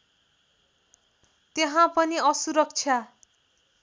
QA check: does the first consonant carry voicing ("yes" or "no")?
no